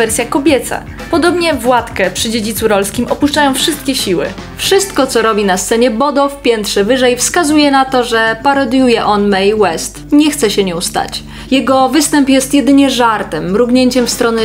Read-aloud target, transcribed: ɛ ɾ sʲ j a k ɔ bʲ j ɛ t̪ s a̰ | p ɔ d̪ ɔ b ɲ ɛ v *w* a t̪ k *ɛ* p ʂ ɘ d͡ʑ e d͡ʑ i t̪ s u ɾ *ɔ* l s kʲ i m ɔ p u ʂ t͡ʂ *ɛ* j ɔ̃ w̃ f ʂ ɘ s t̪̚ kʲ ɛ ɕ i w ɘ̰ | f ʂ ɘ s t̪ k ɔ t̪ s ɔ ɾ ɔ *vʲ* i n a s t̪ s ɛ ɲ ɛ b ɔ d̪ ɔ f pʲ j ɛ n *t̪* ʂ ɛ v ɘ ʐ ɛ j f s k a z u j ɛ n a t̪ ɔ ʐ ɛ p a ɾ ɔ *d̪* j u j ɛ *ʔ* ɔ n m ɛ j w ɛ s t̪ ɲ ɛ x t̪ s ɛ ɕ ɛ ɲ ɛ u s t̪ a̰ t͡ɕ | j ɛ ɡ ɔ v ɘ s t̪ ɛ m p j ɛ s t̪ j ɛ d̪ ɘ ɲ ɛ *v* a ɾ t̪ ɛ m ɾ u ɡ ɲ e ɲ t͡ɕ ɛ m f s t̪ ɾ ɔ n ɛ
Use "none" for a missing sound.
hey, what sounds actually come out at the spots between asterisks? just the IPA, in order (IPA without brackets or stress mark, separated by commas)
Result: w, ɛ, ɔ, a, bʲ, t̪, d̪, ʔ, ʐ